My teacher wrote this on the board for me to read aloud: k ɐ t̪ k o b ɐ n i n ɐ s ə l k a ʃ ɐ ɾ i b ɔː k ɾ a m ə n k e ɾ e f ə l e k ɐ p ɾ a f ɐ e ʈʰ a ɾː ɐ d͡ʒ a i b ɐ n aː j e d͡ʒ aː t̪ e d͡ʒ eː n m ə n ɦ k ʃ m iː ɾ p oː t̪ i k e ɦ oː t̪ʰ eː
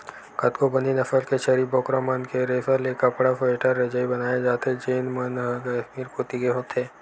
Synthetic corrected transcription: k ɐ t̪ k o b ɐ n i n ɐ f ə l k e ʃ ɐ ɾ i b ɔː k ɾ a m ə n k e ɾ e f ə l e k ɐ p ɽ a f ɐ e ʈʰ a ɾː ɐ d͡ʒ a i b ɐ n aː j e d͡ʒ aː t̪ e d͡ʒ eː n m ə n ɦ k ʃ m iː ɾ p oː t̪ i k e ɦ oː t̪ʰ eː